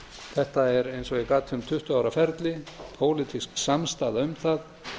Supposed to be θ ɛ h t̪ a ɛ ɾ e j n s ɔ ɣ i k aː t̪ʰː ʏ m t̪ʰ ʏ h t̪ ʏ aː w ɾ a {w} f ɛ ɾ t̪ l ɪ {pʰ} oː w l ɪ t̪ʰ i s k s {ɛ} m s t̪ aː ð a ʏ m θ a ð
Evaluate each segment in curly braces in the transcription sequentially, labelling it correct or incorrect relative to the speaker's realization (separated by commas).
incorrect, correct, incorrect